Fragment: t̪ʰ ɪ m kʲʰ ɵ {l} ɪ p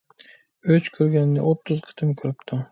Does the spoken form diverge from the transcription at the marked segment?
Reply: yes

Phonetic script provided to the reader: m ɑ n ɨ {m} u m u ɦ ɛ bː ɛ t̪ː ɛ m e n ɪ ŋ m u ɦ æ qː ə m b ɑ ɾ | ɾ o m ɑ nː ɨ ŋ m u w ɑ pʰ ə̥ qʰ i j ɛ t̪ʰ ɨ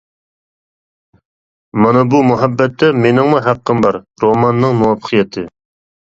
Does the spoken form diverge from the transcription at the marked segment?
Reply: yes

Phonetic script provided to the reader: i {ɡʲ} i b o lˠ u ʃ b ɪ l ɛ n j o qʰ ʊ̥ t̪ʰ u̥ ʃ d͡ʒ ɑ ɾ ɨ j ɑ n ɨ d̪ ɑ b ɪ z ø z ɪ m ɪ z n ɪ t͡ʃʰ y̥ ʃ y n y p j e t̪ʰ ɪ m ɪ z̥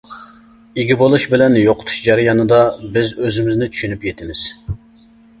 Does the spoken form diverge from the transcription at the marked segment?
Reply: no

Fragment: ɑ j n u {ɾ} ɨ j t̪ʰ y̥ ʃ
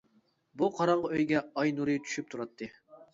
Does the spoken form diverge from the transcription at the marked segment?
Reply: no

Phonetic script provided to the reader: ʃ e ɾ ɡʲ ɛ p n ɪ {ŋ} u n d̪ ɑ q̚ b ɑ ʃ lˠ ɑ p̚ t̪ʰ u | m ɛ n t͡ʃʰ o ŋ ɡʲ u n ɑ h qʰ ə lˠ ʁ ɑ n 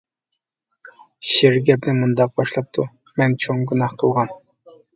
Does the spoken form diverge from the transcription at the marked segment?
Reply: yes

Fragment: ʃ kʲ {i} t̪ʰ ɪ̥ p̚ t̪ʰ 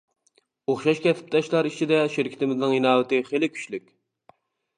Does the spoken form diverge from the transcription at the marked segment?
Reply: yes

